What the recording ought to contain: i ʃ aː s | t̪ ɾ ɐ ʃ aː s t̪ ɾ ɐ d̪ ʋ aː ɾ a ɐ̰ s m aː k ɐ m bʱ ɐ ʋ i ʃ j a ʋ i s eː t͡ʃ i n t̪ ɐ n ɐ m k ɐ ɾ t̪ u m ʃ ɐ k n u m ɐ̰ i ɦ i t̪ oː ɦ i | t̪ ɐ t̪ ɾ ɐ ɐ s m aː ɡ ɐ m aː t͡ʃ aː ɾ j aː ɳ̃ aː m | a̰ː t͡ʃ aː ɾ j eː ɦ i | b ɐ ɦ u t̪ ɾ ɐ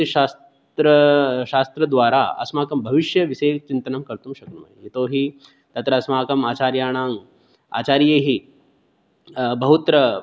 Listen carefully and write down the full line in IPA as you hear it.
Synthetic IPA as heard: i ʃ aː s | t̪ ɾ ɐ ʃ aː s t̪ ɾ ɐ d̪ ʋ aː ɾ a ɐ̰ s m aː k ɐ m bʱ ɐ ʋ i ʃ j ɐ ʋ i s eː t͡ʃ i n t̪ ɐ n ɐ m k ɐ ɾ t̪ u m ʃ ɐ k n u m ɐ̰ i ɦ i t̪ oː ɦ i | t̪ ɐ t̪ ɾ ɐ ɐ s m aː k ɐ m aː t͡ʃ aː ɾ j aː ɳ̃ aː ŋ | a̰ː t͡ʃ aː ɾ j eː ɦ i | b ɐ ɦ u t̪ ɾ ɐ

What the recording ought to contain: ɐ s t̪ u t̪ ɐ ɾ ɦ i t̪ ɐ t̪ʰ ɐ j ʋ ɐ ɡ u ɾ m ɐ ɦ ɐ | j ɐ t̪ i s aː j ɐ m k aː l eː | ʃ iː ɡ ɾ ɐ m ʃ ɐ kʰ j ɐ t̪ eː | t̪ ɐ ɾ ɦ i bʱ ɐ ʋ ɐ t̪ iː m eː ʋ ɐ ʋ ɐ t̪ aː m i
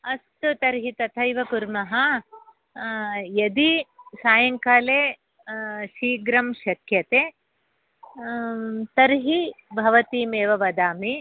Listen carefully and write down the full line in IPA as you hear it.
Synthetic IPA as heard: ɐ s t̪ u t̪ ɐ ɾ ɦ i t̪ ɐ t̪ʰ ɐ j ʋ ɐ k u ɾ m ɐ ɦ ɐ | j ɐ d̪ i s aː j ɐ ŋ k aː l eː | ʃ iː ɡ ɾ ɐ m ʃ ɐ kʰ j ɐ t̪ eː | t̪ ɐ ɾ ɦ i bʱ ɐ ʋ ɐ t̪ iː m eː ʋ ɐ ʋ ɐ d̪ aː m i

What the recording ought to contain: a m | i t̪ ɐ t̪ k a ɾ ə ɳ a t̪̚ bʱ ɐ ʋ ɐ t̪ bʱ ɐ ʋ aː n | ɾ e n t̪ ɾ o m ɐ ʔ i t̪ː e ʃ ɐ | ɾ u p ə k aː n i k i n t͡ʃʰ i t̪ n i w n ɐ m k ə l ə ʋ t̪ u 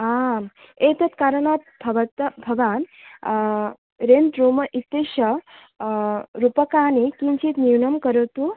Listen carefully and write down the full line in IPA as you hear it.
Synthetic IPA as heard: a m | e t̪ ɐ t̪ k a ɾ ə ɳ a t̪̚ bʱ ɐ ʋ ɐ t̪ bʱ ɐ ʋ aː n | ɾ e n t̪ ɾ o m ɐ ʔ i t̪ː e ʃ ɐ | ɾ u p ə k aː n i k i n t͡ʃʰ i t̪ n i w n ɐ m k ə ɾ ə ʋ t̪ u

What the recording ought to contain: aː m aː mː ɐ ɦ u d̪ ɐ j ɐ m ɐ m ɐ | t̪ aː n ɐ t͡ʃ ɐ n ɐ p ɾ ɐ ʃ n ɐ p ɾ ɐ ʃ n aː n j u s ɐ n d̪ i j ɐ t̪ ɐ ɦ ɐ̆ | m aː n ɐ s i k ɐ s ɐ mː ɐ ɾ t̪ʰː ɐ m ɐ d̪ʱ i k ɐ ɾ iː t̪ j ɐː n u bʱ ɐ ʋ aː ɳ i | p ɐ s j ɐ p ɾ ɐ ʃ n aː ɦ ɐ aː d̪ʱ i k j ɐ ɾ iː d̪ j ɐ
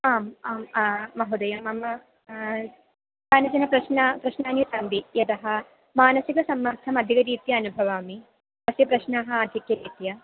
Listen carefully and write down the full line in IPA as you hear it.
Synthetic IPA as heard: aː m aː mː ɐ ɦ u d̪ ɐ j ɐ m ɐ m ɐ | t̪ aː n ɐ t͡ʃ ɐ n ɐ p ɾ ɐ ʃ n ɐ p ɾ ɐ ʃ n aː n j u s ɐ n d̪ i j ɐ t̪ ɐ ɦ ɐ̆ | m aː n ɐ s i k ɐ s ɐ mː ɐ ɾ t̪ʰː ɐ m ɐ d̪ʱ i k ɐ ɾ iː t̪ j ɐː n u bʱ ɐ ʋ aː m i | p ɐ s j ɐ p ɾ ɐ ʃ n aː ɦ ɐ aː d̪ʱ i k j ɐ ɾ iː t̪ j ɐ

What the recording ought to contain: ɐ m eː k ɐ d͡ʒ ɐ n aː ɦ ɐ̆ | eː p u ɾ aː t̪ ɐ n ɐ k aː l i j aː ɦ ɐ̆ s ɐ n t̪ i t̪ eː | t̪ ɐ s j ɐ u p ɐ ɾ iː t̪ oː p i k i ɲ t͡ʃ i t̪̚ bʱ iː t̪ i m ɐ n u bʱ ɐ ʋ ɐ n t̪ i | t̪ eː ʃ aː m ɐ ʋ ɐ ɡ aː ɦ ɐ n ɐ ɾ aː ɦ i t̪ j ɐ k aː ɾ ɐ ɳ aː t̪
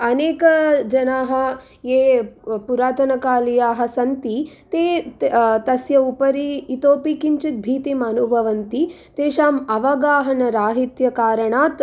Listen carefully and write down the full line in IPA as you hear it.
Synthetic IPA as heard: ɐ n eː k ɐ d͡ʒ ɐ n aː ɦ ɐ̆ | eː p u ɾ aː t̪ ɐ n ɐ k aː l i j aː ɦ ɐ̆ s ɐ n t̪ i t̪ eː | t̪ ɐ s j ɐ u p ɐ ɾ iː t̪ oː p i k i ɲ t͡ʃ i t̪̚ bʱ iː t̪ i m ɐ n u bʱ ɐ ʋ ɐ n t̪ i | t̪ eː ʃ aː m ɐ ʋ ɐ ɡ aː ɦ ɐ n ɐ ɾ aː ɦ i t̪ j ɐ k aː ɾ ɐ ɳ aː t̪

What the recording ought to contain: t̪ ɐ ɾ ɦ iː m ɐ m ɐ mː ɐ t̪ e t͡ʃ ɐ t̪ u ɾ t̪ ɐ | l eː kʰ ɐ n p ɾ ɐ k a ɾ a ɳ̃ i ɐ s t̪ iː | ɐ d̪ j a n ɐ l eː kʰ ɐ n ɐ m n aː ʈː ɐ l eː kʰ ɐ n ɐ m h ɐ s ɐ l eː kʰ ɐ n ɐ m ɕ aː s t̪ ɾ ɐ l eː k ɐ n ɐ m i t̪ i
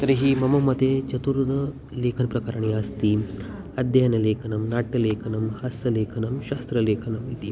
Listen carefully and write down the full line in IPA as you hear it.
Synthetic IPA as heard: t̪ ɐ ɾ ɦ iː m ɐ m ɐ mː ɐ t̪ e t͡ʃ ɐ t̪ u ɾ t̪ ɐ | l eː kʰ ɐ n p ɾ ɐ k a ɾ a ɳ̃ i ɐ s t̪ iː | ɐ d̪ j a n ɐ l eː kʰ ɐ n ɐ m n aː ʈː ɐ l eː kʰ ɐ n ɐ m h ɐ s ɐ l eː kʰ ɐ n ɐ m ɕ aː s t̪ ɾ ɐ l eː kʰ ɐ n ɐ m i t̪ i

